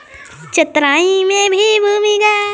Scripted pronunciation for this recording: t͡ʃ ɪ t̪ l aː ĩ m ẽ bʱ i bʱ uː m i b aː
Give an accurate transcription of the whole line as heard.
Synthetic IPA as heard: t͡ʃ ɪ t̪ ɾ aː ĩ m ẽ bʱ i bʱ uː m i ɡ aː